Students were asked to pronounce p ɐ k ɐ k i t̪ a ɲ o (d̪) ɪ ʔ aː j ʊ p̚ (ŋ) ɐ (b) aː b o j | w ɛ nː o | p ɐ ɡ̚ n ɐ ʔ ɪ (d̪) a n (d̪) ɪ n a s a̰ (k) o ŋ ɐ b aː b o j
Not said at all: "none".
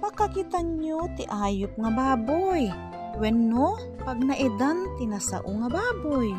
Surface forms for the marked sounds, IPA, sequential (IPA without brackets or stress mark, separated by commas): t̪, ŋ, b, d̪, t̪, ʔ